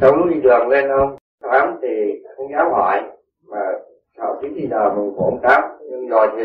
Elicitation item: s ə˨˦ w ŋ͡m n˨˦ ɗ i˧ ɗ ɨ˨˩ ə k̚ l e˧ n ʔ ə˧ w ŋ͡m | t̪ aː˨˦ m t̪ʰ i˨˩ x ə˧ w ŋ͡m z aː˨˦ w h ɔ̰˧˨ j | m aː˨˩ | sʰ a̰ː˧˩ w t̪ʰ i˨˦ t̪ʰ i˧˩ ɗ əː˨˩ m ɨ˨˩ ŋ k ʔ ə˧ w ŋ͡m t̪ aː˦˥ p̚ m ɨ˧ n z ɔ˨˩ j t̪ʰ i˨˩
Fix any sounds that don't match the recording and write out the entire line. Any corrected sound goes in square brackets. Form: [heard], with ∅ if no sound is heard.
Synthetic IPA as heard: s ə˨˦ w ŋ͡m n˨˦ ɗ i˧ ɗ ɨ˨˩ ə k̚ l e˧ n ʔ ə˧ w ŋ͡m | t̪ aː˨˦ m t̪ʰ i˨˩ x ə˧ w ŋ͡m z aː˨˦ w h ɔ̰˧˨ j | m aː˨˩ | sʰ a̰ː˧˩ w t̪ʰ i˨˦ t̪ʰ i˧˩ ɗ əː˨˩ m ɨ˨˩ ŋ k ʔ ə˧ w ŋ͡m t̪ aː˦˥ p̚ [ɲ] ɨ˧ [ŋ] z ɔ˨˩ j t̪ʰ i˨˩